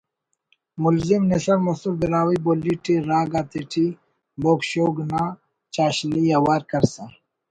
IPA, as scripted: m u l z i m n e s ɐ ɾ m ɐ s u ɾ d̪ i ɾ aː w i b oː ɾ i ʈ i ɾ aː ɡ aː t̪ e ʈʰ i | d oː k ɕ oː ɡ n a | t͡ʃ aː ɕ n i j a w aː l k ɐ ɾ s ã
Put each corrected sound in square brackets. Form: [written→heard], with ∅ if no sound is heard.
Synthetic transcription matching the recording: m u l z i m n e s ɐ ɾ m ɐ s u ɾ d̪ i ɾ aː w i b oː [ɾ→l] i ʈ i ɾ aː ɡ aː t̪ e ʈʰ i | [d→b] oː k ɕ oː ɡ n a | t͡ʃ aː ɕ n i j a w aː [l→ɾ] k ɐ ɾ s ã